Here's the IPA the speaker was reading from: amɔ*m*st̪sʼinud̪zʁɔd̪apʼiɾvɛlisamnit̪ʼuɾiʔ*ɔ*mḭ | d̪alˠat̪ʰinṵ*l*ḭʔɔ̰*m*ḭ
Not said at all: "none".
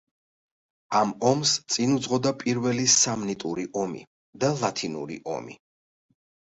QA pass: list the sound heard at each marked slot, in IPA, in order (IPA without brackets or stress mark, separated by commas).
m, ɔ, ɾ, m